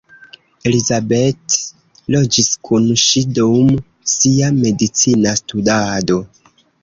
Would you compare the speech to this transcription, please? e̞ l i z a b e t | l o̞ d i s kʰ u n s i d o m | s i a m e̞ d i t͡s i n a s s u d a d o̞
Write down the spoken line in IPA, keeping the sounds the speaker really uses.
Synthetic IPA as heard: e̞ l i z a b e t | l o̞ d͡ʒ i s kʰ u n ʃ i d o m | s i a m e̞ d i t͡s i n a s t u d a d o̞

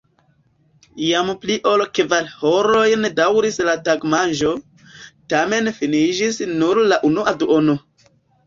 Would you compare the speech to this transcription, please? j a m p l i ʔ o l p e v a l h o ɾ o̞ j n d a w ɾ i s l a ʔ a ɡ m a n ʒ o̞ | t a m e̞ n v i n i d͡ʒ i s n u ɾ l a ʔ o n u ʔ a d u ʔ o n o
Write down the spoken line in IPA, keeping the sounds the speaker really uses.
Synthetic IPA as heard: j a m p l i ʔ o l k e v a l h o ɾ o̞ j n d a w ɾ i s l a t a ɡ m a n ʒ o̞ | t a m e̞ n f i n i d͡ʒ i s n u ɾ l a ʔ u n u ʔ a d u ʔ o n o

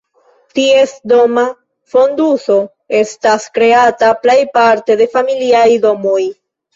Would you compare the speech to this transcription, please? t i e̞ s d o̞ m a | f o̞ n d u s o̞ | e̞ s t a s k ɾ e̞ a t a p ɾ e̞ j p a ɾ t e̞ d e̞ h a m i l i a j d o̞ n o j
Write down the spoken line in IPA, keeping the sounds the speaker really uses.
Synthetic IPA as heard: t i e̞ s d o̞ m a | f o̞ n d u s o̞ | e̞ s t a s k ɾ e̞ a t a p l e̞ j p a ɾ t e̞ d e̞ f a m i l i a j d o̞ m o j

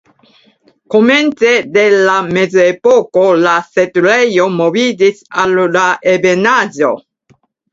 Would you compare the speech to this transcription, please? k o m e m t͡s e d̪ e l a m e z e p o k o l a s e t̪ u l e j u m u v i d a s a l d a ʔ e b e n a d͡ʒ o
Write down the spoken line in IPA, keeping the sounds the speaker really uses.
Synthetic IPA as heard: k o m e n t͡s e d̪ e l a m e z e p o k o l a s e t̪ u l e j o m o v i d i s a l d a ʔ e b e n a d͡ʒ o

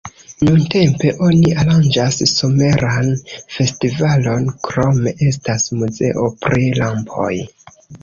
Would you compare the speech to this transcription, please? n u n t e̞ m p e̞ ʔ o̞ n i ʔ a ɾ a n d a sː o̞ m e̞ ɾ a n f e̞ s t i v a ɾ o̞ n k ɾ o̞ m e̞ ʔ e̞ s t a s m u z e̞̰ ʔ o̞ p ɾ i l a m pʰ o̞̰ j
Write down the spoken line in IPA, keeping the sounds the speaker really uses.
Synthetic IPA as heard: n u n t e̞ m p e̞ ʔ o̞ n i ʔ a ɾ a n d͡ʒ a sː o̞ m e̞ ɾ a n f e̞ s t i v a l o̞ n k ɾ o̞ m e̞ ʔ e̞ s t a s m u z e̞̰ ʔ o̞ p ɾ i l a m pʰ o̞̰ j

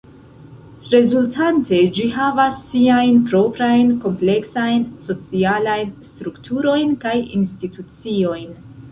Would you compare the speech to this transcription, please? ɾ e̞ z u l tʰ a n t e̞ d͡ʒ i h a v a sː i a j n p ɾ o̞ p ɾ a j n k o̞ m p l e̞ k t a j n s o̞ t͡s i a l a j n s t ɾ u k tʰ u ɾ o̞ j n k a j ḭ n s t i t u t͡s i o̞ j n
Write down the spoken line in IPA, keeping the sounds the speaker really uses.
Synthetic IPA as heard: ɾ e̞ z u l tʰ a n t e̞ d͡ʒ i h a v a sː i a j n p ɾ o̞ p ɾ a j n k o̞ m p l e̞ k s a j n s o̞ t͡s i a l a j n s t ɾ u k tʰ u ɾ o̞ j n k a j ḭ n s t i t u t͡s i o̞ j n

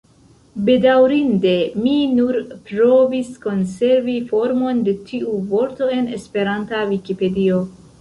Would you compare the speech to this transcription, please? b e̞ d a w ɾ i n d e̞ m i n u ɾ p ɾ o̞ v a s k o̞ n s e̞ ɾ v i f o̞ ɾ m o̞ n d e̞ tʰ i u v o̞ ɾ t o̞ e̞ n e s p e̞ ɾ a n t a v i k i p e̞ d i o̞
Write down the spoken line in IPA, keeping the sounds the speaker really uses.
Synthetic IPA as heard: b e̞ d a w ɾ i n d e̞ m i n u ɾ p ɾ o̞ v i s k o̞ n s e̞ ɾ v i f o̞ ɾ m o̞ n d e̞ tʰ i u v o̞ ɾ t o̞ e̞ n e s p e̞ ɾ a n t a v i k i p e̞ d i o̞

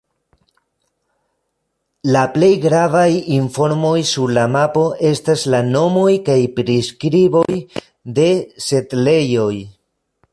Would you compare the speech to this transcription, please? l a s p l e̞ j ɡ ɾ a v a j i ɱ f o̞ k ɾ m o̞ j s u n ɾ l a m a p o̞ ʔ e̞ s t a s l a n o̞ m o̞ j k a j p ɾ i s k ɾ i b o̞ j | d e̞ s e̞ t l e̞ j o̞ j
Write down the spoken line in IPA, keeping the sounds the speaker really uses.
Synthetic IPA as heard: l a p l e̞ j ɡ ɾ a v a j i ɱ f o̞ ɾ m o̞ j s u ɾ l a m a p o̞ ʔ e̞ s t a s l a n o̞ m o̞ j k a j p ɾ i s k ɾ i b o̞ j | d e̞ s e̞ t l e̞ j o̞ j

